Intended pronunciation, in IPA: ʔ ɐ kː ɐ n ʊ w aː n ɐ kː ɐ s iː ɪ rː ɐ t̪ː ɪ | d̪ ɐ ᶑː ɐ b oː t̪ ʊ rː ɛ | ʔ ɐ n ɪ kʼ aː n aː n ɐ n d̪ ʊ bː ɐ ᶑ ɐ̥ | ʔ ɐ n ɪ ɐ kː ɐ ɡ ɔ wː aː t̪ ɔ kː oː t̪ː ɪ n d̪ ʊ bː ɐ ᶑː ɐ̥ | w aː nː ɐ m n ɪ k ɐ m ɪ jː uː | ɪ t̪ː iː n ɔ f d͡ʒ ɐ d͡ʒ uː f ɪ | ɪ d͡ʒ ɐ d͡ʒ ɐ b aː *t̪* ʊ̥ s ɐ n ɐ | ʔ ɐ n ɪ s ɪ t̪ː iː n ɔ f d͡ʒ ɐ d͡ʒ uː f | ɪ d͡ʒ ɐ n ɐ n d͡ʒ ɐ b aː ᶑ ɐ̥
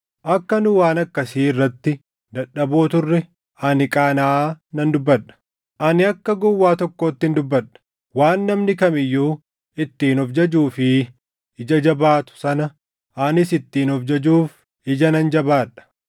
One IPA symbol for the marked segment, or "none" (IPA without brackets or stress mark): t̪